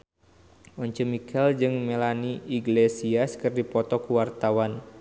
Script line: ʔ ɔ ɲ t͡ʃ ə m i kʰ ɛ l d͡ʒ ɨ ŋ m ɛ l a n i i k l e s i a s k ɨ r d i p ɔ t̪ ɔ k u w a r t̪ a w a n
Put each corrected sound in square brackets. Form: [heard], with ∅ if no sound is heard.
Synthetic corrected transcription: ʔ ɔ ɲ t͡ʃ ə m i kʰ ɛ l d͡ʒ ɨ ŋ m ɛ l a n i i [ɡ] l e s i a s k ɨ r d i p ɔ t̪ ɔ k u w a r t̪ a w a n

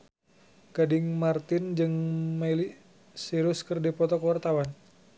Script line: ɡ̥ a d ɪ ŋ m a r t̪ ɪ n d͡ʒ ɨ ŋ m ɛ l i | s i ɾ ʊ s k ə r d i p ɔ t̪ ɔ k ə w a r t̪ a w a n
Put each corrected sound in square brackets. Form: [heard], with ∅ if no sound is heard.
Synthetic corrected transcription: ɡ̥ a d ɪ ŋ m a r t̪ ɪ n d͡ʒ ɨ ŋ m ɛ l i | s i ɾ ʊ s k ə r d i p ɔ t̪ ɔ k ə w a r t̪ a w a n

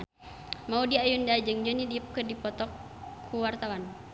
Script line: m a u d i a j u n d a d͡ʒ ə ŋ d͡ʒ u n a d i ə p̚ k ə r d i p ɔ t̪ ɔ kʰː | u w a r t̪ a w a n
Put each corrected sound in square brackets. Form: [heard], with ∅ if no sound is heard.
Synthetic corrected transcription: m a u d i a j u n d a d͡ʒ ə ŋ d͡ʒ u n [i] d i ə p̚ k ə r d i p ɔ t̪ ɔ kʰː | u w a r t̪ a w a n

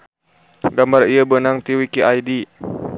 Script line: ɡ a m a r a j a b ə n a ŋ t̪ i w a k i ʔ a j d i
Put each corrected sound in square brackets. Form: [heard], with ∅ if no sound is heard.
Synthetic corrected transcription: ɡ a m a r [i] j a b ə n a ŋ t̪ i w [i] k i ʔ a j d i

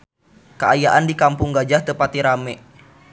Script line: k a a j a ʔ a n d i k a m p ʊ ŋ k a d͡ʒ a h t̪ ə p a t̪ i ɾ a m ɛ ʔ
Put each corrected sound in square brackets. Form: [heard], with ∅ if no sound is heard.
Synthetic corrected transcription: k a a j a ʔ a n d i k a m p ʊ ŋ [ɡ] a d͡ʒ a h t̪ ə p a t̪ i ɾ a m ɛ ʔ

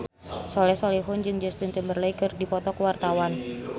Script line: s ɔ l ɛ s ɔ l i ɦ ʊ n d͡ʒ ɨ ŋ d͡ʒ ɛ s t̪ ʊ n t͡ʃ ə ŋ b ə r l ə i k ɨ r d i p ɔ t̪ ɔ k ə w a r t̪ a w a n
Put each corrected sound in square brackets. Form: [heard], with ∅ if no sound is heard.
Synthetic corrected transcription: s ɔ l ɛ s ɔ l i ɦ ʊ n d͡ʒ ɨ ŋ d͡ʒ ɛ s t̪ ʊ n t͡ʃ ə [m] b ə r l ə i k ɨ r d i p ɔ t̪ ɔ k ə w a r t̪ a w a n

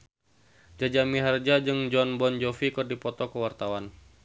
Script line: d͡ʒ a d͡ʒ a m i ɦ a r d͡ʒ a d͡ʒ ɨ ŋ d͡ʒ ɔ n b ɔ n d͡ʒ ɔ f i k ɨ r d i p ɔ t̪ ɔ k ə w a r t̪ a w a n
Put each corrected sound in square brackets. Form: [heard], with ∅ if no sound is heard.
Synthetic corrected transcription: d͡ʒ a d͡ʒ a m i ɦ a r d͡ʒ a d͡ʒ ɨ ŋ d͡ʒ ɔ n b ɔ n d͡ʒ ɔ f i k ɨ r d i p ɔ t̪ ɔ k ə w a r t̪ a w a n

